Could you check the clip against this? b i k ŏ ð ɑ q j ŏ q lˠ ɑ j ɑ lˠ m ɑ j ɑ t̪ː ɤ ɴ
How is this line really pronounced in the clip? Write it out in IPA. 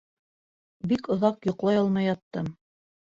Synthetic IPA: b i k ŏ ð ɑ q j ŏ q lˠ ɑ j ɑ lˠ m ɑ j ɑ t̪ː ɤ m